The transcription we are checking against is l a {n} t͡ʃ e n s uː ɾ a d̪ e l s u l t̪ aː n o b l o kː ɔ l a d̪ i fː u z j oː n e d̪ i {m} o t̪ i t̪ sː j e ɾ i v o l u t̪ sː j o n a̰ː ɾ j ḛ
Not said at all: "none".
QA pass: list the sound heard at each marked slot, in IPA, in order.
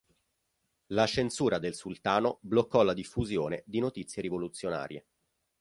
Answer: none, n

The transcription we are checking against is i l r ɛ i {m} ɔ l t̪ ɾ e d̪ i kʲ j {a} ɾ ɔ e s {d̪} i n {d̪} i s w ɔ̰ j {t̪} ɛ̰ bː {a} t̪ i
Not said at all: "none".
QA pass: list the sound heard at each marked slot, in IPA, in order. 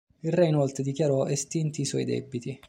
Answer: n, a, t̪, t̪, d̪, i

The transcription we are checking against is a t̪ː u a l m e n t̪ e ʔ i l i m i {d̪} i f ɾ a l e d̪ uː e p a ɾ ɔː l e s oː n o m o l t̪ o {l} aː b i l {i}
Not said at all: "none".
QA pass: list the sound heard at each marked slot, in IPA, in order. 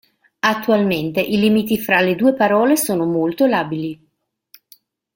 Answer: t̪, l, i

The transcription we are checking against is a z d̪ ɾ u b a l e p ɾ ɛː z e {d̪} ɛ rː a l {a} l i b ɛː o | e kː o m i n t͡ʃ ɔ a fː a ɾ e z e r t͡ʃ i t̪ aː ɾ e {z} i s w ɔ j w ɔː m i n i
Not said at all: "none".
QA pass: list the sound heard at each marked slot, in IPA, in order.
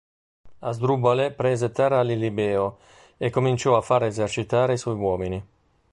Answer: t̪, i, none

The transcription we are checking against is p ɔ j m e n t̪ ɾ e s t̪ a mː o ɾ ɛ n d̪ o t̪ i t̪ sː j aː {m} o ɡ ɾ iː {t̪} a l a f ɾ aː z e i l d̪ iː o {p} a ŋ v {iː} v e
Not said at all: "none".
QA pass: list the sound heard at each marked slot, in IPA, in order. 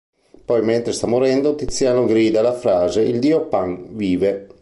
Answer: n, d̪, p, iː

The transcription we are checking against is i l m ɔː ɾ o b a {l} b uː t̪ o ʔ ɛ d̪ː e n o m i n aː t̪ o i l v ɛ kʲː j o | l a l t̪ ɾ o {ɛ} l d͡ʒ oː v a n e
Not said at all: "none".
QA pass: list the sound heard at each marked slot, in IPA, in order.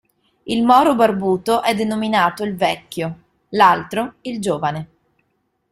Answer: r, i

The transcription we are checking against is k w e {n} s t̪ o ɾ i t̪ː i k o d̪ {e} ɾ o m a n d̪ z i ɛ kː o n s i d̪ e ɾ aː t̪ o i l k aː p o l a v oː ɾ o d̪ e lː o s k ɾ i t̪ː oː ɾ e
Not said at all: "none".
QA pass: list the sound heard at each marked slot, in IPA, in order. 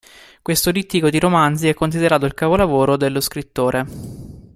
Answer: none, i

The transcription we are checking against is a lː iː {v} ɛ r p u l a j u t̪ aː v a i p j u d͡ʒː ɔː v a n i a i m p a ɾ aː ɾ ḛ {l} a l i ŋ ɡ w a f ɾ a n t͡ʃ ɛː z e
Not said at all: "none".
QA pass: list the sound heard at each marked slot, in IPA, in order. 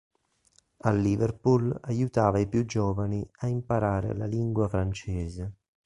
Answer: v, l

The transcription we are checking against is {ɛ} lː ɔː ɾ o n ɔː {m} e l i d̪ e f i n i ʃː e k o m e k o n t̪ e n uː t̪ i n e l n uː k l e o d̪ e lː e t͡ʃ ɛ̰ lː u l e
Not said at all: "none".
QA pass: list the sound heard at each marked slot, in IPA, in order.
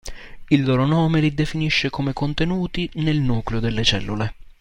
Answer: i, m

